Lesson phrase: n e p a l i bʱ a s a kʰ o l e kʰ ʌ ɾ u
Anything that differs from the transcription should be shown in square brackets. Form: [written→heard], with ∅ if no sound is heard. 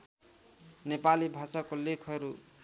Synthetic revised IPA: n e p a l i bʱ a s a [kʰ→k] o l e kʰ ʌ ɾ u